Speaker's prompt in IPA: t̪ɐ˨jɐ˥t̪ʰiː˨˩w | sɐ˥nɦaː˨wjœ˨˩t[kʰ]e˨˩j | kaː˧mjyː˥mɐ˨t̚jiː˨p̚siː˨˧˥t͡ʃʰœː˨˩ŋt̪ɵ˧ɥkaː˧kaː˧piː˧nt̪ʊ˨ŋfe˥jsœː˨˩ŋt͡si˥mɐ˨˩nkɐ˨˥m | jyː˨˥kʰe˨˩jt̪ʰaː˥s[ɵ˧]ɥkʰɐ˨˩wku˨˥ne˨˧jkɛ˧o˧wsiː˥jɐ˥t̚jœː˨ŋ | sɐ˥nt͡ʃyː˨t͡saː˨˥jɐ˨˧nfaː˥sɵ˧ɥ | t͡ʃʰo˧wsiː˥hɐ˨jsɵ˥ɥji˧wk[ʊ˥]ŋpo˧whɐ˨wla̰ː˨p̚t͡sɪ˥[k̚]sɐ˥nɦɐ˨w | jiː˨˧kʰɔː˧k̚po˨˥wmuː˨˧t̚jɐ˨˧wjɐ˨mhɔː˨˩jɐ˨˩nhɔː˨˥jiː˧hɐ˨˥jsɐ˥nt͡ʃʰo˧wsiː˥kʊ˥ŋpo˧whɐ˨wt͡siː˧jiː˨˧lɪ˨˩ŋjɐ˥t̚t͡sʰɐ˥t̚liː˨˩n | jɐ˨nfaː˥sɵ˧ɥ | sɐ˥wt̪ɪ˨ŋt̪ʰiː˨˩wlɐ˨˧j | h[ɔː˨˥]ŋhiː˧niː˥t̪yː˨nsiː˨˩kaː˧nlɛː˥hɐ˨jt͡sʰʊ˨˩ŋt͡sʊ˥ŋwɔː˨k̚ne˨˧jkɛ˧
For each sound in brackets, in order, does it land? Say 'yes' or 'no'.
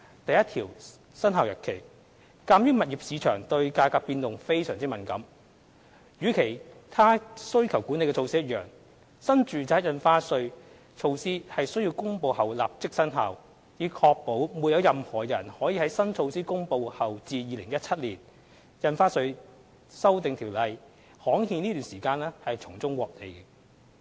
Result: yes, no, yes, yes, yes

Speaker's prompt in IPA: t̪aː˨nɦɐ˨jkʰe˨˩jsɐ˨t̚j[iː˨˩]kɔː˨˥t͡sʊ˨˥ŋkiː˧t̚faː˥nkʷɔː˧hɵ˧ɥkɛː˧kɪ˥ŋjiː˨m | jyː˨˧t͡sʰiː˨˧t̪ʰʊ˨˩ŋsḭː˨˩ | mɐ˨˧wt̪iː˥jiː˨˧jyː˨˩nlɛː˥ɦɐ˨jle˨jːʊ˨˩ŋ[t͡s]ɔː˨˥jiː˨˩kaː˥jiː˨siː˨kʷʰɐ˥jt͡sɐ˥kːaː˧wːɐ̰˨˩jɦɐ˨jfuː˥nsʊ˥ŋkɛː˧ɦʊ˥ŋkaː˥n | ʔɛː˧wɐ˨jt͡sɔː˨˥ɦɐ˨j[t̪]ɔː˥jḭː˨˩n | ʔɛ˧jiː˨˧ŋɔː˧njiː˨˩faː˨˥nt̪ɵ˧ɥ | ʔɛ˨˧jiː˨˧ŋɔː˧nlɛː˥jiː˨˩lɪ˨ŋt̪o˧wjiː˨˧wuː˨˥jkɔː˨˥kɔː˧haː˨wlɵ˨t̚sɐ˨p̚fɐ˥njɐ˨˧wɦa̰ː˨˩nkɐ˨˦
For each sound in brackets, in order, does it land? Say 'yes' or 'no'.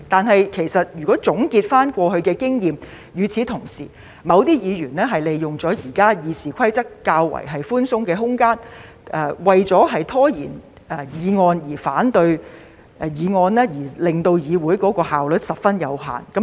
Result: no, yes, no

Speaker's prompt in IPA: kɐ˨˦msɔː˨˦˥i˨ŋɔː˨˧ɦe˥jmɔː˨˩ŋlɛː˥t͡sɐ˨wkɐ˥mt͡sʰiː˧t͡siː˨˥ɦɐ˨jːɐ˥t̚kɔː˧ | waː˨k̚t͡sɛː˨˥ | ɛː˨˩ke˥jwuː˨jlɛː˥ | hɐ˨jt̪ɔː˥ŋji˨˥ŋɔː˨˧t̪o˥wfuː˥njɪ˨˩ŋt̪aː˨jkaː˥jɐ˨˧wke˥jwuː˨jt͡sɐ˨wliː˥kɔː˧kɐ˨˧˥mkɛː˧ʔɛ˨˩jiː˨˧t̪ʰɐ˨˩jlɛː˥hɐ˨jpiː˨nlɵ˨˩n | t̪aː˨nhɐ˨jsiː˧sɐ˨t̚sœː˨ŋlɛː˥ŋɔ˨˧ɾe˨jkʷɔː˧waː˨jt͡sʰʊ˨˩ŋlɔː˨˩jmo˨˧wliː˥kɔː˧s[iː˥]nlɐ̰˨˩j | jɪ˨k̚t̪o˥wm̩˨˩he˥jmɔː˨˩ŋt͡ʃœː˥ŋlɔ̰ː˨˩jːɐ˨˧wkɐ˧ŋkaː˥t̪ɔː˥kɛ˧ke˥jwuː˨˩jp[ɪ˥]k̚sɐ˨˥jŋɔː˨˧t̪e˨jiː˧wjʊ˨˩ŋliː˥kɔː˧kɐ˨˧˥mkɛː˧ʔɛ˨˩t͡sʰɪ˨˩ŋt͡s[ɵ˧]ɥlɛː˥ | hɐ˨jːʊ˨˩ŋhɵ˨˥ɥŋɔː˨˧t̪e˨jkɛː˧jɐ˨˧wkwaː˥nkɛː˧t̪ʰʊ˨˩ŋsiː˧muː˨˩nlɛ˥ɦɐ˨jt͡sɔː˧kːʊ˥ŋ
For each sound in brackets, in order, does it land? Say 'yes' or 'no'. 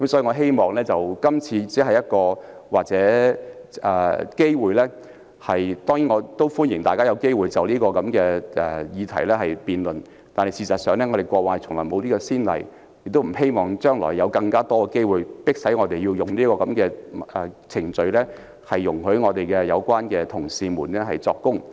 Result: yes, yes, yes

